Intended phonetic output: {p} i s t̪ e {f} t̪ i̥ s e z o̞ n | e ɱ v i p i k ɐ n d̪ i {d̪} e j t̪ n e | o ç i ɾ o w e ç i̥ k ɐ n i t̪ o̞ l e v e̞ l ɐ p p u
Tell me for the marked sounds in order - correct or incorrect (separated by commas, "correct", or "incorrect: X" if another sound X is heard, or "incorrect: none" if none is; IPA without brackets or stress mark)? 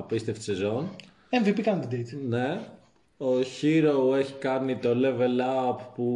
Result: correct, correct, correct